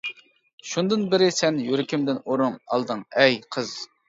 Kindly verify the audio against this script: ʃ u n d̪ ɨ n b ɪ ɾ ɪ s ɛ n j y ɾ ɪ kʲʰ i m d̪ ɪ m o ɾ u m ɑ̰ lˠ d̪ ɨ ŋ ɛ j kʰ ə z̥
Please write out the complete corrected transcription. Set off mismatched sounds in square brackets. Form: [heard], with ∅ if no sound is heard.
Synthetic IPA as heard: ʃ u n d̪ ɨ n b ɪ ɾ ɪ s ɛ n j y ɾ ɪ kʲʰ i m d̪ ɪ [n] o ɾ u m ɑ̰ lˠ d̪ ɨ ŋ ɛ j [qʰ] ə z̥